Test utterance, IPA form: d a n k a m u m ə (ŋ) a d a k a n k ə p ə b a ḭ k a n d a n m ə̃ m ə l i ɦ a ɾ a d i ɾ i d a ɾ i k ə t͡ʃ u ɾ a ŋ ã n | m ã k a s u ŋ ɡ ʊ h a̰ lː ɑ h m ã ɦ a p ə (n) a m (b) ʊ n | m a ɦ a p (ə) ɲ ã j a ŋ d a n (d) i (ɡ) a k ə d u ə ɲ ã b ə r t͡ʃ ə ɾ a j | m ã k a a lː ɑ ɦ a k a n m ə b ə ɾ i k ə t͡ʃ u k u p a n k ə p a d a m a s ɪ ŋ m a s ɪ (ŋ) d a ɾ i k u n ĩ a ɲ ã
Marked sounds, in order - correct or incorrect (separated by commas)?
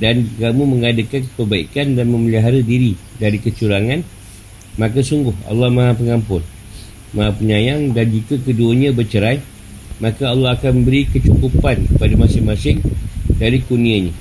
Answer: correct, incorrect, incorrect, correct, incorrect, incorrect, correct